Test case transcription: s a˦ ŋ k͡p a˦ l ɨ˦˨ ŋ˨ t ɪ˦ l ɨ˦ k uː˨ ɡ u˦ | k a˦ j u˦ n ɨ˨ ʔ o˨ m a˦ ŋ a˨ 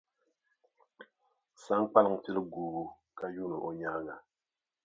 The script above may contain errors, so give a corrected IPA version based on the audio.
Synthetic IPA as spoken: s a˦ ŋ k͡p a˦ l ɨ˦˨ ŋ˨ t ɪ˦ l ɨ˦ ɡ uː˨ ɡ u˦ | k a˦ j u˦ n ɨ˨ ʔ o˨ ɲ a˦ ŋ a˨